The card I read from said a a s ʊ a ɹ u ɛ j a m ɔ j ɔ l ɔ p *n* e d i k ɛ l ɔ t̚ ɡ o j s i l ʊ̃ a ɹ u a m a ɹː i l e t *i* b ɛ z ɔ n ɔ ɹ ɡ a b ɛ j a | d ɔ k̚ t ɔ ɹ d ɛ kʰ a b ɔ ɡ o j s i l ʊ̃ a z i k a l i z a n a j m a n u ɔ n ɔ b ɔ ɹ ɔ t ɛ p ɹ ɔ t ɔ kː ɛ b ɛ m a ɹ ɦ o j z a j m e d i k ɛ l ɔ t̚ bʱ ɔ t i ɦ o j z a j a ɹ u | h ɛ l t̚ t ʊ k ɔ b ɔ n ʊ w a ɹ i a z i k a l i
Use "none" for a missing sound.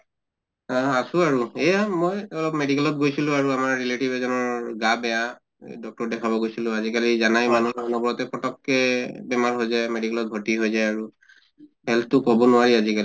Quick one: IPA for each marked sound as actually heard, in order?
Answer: m, i

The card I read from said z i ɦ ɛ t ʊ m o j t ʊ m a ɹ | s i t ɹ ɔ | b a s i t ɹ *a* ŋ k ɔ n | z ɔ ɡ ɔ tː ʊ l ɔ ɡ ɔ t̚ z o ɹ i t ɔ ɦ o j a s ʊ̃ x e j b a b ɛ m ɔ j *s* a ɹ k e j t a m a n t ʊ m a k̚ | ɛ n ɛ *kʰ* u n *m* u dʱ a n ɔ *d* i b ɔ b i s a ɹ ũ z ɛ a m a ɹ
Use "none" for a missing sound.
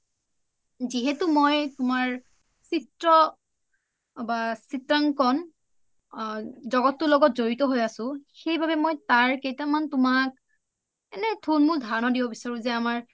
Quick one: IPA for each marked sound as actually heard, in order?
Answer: a, t, tʰ, m, d

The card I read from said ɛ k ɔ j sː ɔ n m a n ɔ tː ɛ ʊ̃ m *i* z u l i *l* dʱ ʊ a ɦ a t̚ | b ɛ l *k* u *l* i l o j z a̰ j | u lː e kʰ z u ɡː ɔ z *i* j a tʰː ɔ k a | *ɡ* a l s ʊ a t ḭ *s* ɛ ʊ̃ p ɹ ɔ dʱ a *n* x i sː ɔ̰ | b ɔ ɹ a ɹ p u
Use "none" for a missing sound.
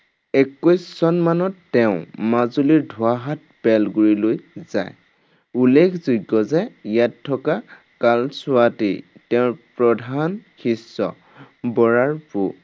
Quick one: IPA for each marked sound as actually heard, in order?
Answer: a, ɹ, ɡ, ɹ, ɛ, k, t, n

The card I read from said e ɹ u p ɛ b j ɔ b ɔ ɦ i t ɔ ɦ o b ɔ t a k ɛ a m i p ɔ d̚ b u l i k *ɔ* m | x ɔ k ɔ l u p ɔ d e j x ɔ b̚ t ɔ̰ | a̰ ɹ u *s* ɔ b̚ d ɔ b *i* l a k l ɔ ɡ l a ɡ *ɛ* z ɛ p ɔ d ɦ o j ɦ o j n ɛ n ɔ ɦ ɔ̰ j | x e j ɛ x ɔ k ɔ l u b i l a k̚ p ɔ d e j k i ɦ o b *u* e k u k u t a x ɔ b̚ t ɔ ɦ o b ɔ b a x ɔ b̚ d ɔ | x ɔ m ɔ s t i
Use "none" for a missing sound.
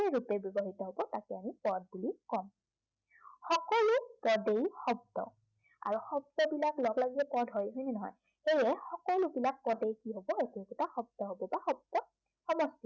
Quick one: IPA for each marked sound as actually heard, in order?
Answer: ɔ, x, i, i, ɔ

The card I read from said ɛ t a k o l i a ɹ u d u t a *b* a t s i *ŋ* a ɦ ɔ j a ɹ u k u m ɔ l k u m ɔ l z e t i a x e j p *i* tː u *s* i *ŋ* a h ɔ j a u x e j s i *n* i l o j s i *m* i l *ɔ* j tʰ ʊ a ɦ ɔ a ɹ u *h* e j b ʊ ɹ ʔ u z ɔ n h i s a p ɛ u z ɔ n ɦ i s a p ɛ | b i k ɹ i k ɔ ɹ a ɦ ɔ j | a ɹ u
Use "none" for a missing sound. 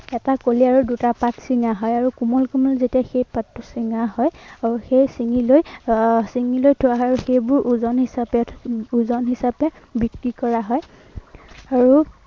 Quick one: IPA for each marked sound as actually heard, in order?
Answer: p, ŋ, a, s, ŋ, ŋ, ŋ, o, x

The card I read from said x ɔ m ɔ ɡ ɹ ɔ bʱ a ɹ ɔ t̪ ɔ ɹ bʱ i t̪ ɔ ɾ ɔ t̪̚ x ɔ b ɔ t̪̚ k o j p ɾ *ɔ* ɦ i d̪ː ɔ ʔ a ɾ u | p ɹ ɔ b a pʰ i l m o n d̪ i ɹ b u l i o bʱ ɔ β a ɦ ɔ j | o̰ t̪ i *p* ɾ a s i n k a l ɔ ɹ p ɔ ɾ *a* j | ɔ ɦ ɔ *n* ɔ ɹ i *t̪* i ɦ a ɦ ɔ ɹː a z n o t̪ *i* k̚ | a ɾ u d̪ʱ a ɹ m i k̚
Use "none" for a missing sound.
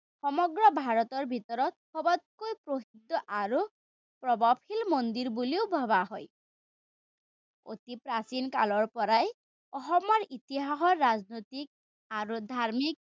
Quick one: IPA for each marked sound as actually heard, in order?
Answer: o, p, a, m, t̪, i

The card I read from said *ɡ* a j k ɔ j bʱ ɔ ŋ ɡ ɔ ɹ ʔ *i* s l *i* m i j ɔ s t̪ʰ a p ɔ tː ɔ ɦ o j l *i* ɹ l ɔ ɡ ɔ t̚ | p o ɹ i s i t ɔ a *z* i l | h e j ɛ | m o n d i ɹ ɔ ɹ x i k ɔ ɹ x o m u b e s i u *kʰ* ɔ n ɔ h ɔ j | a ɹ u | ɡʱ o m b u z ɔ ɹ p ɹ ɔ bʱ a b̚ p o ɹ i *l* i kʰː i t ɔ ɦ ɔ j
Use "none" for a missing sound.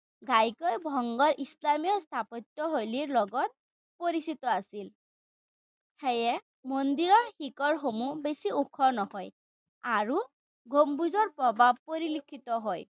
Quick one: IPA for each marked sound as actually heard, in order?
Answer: ɡ, i, a, i, s, kʰ, l

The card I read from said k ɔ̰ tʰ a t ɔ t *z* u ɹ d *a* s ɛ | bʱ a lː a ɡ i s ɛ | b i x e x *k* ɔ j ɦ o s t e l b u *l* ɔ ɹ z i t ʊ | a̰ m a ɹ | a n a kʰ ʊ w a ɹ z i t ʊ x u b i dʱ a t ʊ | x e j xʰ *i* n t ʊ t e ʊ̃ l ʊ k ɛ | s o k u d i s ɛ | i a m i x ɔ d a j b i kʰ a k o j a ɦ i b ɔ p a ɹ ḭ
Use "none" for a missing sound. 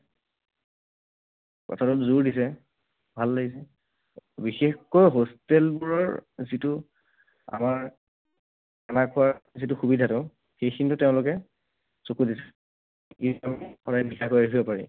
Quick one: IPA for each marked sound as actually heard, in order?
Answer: z, i, k, ɹ, i

